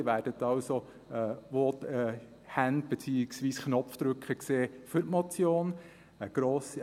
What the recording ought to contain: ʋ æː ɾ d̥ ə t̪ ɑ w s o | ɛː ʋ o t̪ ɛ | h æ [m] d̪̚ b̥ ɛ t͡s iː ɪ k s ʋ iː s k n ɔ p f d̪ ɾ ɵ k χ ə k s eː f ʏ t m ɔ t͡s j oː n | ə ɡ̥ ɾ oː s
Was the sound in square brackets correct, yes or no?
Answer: no